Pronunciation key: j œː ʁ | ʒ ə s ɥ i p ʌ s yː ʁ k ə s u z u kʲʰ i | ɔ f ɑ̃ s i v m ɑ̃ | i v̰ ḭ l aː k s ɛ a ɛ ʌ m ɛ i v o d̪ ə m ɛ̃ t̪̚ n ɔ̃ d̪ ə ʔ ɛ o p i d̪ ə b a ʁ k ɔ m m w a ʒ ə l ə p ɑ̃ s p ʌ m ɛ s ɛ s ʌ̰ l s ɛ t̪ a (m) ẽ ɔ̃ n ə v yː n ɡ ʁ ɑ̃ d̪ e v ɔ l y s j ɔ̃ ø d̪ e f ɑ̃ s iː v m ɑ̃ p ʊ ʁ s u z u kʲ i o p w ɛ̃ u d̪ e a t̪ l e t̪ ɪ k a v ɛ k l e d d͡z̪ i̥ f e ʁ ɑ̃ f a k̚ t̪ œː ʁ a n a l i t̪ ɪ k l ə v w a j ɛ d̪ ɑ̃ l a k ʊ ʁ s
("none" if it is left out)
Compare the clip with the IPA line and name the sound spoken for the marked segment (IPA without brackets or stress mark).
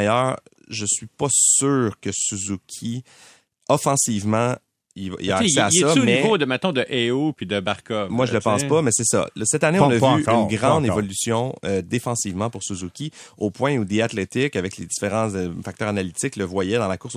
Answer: n